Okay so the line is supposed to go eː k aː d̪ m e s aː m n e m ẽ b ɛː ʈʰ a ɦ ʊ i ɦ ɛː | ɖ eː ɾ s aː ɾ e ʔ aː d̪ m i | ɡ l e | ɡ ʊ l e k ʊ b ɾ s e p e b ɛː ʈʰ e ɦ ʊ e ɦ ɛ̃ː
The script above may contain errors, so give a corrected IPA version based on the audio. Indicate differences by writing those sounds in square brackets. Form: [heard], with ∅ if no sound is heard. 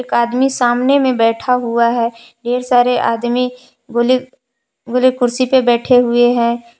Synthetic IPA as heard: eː k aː d̪ m [i] s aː m n e m ẽ b ɛː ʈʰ a ɦ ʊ [a] ɦ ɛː | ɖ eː ɾ s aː ɾ e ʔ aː d̪ m i | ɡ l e | ɡ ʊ l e k ʊ [∅] ɾ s [i] p e b ɛː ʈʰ e ɦ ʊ e ɦ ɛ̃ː